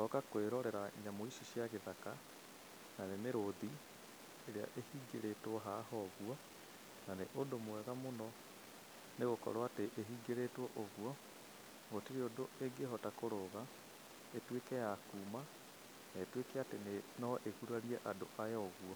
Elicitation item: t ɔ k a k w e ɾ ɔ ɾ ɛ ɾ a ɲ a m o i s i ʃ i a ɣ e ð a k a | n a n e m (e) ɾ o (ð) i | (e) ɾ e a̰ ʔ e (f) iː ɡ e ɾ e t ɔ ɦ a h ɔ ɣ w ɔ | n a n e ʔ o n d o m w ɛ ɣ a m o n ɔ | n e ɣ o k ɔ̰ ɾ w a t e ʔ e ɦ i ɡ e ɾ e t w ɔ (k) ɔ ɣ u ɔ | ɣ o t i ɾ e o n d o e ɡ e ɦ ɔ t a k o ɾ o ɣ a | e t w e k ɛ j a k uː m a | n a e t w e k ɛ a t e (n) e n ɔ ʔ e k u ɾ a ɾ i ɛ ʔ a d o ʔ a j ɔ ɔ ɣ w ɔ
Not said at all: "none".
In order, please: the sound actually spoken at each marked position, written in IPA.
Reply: e, ð, e, h, ʔ, n

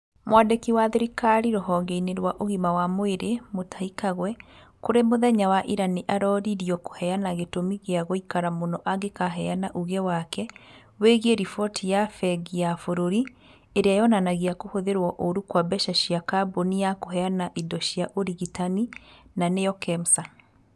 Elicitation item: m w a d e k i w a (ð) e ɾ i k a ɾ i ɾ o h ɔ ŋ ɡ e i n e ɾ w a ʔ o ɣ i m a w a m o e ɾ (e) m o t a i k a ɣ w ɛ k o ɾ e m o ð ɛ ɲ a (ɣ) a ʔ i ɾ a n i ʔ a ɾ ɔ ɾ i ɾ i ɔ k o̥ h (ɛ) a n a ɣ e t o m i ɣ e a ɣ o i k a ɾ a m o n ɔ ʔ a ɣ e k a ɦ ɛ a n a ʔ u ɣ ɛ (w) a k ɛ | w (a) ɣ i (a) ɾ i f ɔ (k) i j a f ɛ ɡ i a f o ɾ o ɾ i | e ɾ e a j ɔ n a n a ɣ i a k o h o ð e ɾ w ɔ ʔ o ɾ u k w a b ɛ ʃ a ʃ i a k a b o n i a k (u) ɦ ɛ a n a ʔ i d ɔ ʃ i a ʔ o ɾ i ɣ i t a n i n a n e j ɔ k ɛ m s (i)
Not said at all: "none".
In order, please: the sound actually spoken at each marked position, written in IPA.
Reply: ð, e, w, ɛ, w, e, e, t, o, a

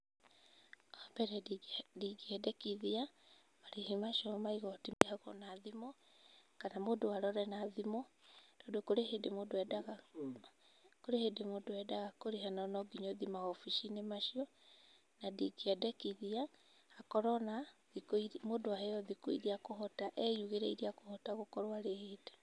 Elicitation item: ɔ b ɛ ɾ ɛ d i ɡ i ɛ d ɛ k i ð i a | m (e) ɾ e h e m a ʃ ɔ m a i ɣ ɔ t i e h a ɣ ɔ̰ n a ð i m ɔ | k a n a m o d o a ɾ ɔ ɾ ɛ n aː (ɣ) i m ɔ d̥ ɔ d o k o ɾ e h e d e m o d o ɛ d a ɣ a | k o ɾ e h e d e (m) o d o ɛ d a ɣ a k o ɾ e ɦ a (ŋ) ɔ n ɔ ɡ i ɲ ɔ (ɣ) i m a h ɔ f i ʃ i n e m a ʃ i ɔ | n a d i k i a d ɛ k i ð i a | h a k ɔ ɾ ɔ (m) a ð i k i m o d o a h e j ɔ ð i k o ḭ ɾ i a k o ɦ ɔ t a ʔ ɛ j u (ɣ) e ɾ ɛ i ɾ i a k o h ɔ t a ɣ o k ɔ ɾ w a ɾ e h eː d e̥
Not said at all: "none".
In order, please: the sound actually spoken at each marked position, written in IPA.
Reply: a, ð, m, n, ð, n, ɣ

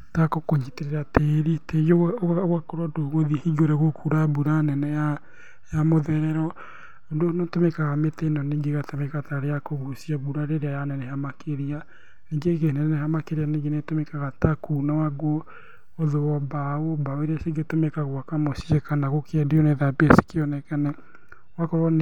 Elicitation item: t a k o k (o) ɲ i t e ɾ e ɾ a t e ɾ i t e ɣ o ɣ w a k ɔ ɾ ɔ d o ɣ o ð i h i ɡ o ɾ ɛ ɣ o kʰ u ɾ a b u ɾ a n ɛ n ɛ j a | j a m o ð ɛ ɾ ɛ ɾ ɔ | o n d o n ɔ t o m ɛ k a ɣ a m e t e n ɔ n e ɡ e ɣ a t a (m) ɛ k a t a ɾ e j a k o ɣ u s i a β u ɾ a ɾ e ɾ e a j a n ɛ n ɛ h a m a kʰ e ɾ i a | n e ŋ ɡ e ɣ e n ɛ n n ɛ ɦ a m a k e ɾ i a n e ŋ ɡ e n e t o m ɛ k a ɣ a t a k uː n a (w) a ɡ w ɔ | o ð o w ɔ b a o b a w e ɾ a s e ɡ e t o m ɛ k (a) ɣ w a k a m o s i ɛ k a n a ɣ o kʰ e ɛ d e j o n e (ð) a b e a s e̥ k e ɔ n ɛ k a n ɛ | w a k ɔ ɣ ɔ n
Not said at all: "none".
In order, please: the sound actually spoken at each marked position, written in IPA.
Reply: o, m, w, a, ð

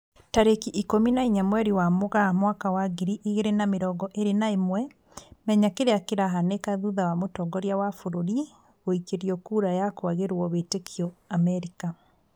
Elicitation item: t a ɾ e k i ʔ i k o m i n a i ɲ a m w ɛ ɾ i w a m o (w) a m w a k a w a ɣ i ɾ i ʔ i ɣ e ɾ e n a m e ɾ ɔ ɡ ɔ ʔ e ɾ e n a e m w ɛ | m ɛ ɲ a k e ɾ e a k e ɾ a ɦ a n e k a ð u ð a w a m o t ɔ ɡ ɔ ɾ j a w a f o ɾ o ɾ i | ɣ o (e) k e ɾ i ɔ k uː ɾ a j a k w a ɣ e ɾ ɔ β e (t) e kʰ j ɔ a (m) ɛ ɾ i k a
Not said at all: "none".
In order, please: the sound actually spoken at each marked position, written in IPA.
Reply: ɣ, i, t, m

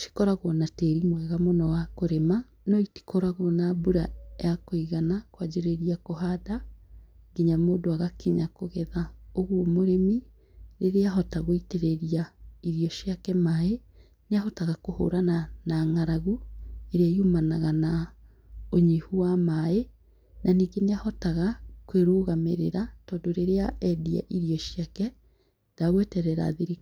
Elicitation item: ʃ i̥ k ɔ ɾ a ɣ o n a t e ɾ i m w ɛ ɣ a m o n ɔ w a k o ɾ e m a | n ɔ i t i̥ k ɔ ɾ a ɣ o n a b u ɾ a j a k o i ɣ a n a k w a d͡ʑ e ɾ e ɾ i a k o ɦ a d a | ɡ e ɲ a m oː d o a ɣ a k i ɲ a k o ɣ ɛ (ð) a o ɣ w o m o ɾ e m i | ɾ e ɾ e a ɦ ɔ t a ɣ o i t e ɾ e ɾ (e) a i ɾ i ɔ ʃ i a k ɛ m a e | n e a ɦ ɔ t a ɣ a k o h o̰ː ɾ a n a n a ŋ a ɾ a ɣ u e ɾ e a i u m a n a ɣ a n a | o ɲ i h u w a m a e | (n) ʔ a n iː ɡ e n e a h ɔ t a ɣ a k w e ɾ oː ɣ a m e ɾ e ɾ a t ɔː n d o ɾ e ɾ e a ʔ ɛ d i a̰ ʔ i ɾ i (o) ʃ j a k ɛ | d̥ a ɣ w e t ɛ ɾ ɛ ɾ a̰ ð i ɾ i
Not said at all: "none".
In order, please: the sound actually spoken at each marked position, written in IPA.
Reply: ð, i, n, ɔ

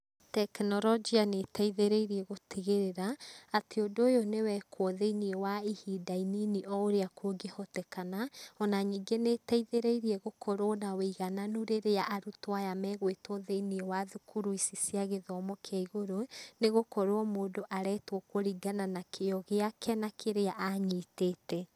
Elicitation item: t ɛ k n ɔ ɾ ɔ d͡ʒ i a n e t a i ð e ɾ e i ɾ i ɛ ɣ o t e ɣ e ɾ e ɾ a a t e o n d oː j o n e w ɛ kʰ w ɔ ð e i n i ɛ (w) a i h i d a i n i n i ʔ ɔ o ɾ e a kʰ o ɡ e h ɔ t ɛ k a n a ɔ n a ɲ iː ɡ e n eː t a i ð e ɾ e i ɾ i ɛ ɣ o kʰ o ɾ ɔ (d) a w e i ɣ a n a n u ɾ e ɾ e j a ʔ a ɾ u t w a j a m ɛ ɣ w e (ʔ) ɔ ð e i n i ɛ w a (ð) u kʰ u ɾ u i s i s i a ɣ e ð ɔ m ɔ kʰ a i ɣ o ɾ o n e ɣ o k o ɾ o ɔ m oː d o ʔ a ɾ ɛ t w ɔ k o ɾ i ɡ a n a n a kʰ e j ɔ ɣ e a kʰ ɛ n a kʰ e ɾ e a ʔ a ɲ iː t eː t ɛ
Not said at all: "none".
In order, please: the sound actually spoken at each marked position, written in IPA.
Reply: w, n, t, ð

